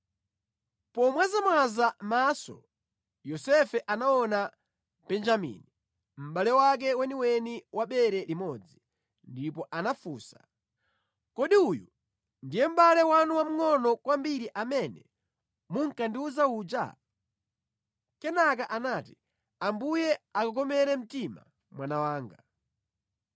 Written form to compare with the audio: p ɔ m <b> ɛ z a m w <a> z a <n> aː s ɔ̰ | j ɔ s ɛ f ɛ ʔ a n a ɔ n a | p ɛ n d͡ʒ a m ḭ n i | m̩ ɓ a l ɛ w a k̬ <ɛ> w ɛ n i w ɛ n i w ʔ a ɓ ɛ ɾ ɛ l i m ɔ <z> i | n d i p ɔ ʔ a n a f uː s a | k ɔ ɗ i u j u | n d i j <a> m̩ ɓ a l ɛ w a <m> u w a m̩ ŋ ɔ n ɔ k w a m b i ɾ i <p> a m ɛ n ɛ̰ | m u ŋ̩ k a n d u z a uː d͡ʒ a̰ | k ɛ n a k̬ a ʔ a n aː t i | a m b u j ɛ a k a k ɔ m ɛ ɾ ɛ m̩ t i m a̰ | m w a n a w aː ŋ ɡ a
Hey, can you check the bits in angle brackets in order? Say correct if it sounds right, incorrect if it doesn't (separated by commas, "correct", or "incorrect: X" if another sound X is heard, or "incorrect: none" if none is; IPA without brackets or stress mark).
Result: incorrect: w, correct, incorrect: m, correct, incorrect: d͡z, incorrect: ɛ, incorrect: n, incorrect: ʔ